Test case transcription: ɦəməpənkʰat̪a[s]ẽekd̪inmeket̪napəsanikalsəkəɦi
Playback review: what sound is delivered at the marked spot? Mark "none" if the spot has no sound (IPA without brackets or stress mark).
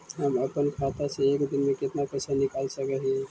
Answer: s